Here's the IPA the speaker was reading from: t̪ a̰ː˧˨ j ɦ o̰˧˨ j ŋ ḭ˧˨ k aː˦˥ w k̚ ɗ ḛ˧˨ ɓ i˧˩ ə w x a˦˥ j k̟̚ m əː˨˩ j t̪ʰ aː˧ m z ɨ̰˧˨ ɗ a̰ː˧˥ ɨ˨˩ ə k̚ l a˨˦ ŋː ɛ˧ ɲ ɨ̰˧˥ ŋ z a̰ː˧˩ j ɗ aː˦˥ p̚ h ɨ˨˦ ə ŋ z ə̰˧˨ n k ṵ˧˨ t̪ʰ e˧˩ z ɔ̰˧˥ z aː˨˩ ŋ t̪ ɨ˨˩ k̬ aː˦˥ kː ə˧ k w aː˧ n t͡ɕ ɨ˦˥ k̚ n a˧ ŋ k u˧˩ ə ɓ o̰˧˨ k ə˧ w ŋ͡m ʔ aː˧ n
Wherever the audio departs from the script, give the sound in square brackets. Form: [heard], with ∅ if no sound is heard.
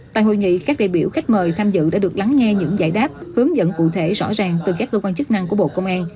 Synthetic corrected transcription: t̪ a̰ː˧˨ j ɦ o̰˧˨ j ŋ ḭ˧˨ k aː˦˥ [∅] k̚ ɗ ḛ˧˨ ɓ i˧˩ ə w x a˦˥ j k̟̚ m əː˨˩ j t̪ʰ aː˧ m z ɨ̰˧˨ ɗ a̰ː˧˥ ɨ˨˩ ə k̚ l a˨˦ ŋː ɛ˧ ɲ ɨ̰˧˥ ŋ z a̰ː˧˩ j ɗ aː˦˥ p̚ h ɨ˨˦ ə ŋ z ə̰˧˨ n k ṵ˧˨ t̪ʰ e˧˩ z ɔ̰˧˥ z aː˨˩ ŋ t̪ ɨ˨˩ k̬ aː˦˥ kː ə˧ k w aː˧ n t͡ɕ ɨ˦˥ k̚ n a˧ ŋ k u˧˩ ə ɓ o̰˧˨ k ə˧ w ŋ͡m ʔ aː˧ n